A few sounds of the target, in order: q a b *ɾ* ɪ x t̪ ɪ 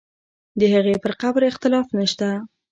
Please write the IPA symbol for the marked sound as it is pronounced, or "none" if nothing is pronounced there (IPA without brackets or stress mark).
ɾ